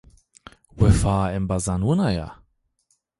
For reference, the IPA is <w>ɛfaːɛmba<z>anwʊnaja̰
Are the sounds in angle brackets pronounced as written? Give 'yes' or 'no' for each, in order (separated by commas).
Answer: yes, yes